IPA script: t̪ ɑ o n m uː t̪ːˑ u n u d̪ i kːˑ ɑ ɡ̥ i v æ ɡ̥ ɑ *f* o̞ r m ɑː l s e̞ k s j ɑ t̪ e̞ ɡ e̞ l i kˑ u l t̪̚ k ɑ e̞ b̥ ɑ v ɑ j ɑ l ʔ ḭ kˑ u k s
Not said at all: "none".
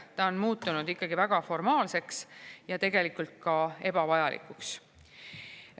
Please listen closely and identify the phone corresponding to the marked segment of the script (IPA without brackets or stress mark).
f